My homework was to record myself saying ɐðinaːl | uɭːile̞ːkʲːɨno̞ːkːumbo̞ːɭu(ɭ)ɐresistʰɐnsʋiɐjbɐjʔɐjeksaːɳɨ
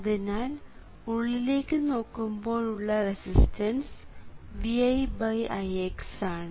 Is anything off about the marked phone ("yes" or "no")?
yes